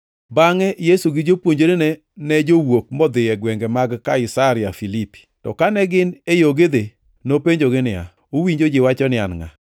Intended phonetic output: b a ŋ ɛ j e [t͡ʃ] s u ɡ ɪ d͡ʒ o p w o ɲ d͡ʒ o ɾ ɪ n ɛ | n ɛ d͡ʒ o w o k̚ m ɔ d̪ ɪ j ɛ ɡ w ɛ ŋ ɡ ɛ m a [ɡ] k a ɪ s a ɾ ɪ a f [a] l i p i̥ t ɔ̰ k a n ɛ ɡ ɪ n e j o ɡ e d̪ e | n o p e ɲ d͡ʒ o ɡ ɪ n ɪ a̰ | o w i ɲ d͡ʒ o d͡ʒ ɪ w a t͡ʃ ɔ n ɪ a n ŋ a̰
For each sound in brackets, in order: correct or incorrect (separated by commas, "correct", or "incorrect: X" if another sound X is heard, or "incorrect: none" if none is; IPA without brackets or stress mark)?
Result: incorrect: none, correct, incorrect: i